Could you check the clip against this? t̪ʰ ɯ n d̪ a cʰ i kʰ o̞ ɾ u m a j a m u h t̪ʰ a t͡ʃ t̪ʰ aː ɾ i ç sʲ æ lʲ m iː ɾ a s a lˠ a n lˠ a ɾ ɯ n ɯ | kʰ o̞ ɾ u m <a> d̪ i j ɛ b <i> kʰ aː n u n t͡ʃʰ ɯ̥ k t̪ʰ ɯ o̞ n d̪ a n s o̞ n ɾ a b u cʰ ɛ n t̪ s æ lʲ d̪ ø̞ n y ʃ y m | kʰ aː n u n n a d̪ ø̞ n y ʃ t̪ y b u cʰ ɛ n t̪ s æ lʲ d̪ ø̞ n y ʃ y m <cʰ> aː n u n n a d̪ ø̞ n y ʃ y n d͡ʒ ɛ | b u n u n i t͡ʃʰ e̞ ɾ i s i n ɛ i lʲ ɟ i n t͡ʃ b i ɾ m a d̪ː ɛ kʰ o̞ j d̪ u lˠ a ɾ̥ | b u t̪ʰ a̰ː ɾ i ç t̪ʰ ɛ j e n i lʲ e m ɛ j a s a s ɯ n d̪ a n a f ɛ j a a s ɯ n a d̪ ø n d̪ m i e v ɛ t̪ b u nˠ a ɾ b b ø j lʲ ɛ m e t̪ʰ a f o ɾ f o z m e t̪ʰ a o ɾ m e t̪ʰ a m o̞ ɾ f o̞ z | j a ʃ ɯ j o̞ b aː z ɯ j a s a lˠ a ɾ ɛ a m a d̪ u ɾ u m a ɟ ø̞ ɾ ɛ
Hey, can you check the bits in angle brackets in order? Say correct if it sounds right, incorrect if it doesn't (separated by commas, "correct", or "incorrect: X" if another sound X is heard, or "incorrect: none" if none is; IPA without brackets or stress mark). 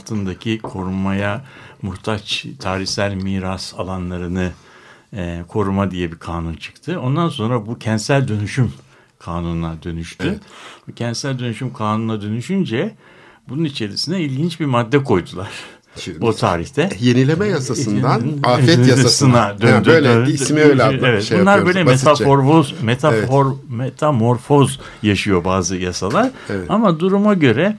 correct, correct, incorrect: kʰ